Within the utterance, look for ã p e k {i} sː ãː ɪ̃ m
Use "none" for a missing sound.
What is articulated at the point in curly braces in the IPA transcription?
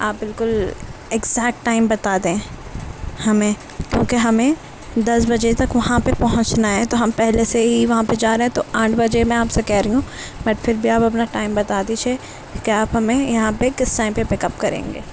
ɪ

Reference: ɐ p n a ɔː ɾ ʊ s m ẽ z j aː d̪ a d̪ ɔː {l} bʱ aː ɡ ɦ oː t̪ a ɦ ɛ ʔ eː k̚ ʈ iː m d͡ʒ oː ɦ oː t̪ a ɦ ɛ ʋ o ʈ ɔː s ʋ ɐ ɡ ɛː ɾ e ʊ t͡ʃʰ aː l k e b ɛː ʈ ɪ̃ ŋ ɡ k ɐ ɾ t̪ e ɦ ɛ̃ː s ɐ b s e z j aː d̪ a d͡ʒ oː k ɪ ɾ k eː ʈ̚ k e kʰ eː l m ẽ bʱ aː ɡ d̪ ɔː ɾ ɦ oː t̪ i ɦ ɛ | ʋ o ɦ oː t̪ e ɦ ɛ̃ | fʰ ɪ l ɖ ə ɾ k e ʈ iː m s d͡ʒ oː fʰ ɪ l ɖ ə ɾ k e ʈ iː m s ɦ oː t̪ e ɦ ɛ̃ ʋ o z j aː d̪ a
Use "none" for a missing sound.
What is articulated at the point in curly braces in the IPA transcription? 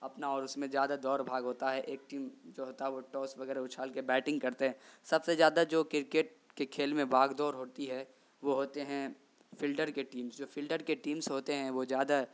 ɾ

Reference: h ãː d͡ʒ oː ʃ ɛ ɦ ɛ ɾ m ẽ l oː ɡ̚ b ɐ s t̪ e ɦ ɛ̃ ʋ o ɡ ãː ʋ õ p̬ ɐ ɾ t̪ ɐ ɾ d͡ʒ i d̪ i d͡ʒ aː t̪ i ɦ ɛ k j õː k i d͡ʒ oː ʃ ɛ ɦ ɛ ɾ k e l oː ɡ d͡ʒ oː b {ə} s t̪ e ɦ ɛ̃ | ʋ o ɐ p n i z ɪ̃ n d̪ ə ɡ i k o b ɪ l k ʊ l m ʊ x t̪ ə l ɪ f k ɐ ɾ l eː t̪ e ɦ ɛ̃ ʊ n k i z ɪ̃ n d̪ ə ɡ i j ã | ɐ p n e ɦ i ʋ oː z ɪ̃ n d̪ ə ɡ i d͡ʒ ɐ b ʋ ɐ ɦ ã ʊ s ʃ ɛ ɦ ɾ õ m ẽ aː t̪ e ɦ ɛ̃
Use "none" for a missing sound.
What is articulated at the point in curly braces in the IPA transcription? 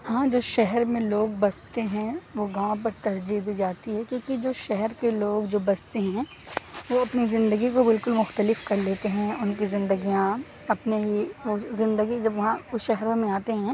ɐ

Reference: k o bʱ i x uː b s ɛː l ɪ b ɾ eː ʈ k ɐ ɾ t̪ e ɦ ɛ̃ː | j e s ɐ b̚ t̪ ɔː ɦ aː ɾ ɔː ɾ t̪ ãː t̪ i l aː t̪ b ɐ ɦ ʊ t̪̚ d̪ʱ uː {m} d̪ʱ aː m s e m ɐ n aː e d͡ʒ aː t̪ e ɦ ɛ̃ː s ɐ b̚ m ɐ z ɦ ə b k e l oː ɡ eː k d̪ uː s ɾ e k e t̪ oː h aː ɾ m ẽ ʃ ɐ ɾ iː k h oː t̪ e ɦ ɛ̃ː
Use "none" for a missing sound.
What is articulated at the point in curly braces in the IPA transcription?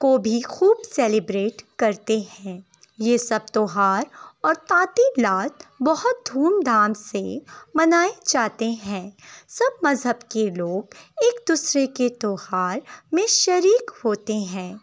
m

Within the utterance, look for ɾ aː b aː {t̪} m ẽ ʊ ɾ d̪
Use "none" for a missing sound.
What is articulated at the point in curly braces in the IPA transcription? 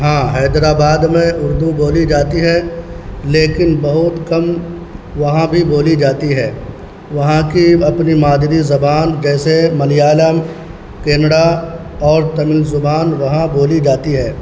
d̪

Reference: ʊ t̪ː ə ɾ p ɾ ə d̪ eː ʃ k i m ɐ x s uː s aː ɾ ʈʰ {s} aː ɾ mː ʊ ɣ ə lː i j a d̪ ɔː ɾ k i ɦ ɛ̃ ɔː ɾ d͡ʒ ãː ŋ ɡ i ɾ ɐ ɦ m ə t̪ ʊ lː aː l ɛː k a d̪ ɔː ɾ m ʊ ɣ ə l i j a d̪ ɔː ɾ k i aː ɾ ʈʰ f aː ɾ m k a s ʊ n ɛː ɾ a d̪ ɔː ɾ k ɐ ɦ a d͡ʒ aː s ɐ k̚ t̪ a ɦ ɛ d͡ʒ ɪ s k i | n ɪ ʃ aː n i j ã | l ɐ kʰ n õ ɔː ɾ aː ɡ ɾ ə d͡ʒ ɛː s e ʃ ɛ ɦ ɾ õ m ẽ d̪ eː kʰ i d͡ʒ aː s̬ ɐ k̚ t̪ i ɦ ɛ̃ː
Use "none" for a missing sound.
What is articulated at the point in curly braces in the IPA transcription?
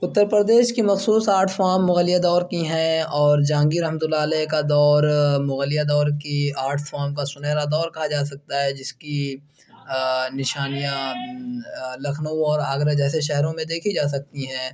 f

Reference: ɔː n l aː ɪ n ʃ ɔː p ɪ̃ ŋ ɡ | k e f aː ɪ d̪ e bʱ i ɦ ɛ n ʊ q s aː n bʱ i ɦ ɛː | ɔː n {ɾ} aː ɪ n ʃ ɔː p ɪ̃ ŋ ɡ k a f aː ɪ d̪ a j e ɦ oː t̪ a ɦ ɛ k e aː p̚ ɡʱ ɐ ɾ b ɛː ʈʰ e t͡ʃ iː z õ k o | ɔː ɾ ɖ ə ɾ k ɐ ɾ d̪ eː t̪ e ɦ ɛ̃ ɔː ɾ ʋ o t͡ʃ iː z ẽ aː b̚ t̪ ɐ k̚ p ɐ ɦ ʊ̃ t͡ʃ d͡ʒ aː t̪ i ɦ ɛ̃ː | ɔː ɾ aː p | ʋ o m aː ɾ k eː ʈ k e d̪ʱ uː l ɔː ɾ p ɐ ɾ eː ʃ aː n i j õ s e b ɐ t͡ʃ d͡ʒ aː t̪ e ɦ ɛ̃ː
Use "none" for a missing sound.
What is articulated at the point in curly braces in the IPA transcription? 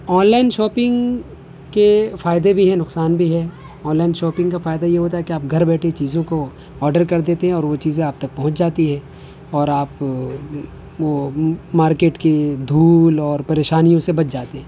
l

